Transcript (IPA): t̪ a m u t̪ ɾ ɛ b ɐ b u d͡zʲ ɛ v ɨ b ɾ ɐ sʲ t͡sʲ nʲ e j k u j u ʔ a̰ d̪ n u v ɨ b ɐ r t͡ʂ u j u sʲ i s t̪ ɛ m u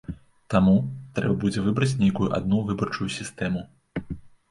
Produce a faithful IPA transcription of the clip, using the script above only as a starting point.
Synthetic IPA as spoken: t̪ a m u t̪ ɾ ɛ b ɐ b u d͡zʲ ɛ v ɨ b ɾ ɐ t͡sʲ nʲ e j k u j u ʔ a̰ d̪ n u v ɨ b ɐ r t͡ʂ u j u sʲ i s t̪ ɛ m u